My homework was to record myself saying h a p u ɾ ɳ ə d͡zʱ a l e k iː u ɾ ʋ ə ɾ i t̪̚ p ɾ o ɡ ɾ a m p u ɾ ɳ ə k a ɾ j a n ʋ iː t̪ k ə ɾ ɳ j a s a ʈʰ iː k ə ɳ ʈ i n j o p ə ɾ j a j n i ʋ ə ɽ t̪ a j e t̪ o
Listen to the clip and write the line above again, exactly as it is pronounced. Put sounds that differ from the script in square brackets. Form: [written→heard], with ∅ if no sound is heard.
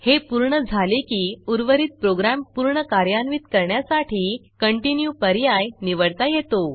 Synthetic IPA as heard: h [a→e] p u ɾ ɳ ə d͡zʱ a l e k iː u ɾ ʋ ə ɾ i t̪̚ p ɾ o ɡ ɾ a m p u ɾ ɳ ə k a ɾ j a n ʋ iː t̪ k ə ɾ ɳ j a s a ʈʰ iː k ə ɳ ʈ i n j [o→u] p ə ɾ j a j n i ʋ ə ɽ t̪ a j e t̪ o